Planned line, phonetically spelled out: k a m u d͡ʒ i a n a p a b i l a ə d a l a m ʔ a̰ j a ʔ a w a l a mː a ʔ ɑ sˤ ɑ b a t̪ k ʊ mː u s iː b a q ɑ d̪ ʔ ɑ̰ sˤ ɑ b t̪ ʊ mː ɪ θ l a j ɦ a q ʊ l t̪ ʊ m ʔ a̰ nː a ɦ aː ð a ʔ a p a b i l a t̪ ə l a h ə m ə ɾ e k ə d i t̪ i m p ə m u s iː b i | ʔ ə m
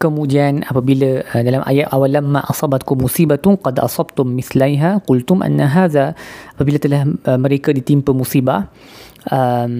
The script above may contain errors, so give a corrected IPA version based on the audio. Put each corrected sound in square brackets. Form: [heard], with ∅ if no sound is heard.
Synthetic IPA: k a m u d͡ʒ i a n a p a b i l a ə d a l a m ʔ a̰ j a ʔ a w a l a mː a ʔ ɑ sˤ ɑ b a t̪ k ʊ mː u s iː b a q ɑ d̪ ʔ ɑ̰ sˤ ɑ b t̪ ʊ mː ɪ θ l a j ɦ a q ʊ l t̪ ʊ m ʔ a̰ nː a ɦ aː ð a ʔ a p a b i l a t̪ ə l a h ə m ə ɾ e k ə d i t̪ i m p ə m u s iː b [a] | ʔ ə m